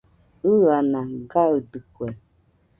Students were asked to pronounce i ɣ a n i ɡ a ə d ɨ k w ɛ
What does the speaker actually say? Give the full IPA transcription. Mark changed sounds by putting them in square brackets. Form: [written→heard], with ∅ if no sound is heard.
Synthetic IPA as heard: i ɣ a n [i→a] ɡ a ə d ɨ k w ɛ